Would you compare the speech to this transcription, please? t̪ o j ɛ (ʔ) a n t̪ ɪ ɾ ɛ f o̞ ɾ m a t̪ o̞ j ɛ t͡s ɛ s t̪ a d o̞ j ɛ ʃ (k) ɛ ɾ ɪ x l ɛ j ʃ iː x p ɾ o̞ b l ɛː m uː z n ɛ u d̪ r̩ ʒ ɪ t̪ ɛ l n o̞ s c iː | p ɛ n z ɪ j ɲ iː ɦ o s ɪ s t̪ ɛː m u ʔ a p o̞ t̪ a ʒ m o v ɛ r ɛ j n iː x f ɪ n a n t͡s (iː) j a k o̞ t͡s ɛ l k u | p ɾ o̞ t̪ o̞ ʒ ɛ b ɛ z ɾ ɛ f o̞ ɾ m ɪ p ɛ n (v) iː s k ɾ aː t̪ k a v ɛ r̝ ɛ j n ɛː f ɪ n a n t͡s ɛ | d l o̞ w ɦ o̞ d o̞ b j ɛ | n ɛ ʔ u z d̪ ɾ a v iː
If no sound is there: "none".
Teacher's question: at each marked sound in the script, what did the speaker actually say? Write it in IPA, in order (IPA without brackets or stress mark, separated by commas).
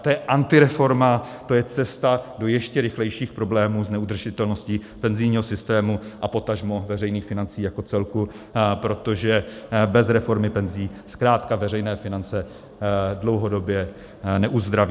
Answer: ʔ, c, iː, z